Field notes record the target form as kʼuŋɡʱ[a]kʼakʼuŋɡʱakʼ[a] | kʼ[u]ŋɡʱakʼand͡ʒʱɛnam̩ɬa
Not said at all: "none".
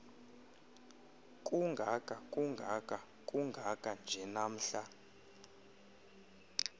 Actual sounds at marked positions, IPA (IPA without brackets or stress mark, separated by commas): a, a, u